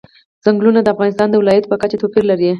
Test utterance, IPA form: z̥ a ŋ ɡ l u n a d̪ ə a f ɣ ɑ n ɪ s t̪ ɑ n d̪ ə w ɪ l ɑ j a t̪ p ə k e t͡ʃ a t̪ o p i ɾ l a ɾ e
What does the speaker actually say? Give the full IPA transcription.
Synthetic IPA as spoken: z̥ a ŋ ɡ l u n a d̪ ə a f ɣ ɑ n ɪ s t̪ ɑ n d̪ ə w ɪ l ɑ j a t̪ p ə k a t͡ʃ a t̪ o p i ɾ l a ɾ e